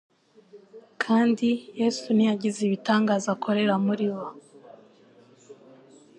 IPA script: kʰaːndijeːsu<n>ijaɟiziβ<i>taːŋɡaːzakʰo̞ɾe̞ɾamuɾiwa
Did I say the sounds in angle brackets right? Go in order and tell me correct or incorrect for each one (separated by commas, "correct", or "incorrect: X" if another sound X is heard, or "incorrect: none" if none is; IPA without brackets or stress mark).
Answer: correct, correct